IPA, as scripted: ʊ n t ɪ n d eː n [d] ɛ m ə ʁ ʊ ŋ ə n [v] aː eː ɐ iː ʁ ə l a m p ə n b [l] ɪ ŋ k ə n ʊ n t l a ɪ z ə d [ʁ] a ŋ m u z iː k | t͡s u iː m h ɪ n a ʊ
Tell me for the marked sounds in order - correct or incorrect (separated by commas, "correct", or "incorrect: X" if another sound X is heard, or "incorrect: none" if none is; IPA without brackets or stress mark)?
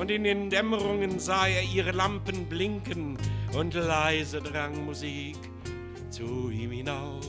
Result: correct, incorrect: z, correct, correct